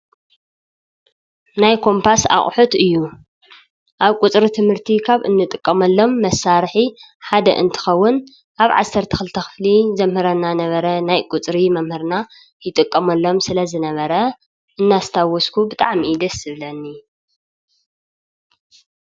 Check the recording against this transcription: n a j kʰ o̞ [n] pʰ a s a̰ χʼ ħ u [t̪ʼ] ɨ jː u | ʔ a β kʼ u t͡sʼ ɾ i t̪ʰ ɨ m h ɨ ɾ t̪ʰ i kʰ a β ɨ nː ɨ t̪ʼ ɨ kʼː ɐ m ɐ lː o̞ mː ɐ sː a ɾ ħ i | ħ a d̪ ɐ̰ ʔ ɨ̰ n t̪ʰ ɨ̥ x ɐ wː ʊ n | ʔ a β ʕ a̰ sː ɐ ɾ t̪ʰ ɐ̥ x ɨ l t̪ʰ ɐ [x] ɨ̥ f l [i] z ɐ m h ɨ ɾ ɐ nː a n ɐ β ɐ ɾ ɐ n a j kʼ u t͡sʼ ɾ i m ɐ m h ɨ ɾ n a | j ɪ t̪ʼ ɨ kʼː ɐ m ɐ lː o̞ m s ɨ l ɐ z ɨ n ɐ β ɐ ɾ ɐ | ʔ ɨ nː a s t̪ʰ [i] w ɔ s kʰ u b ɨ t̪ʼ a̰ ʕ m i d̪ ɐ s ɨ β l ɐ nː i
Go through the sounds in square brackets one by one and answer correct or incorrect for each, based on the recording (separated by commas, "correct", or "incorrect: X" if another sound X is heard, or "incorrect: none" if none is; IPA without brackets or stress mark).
incorrect: m, incorrect: t̪, correct, correct, incorrect: a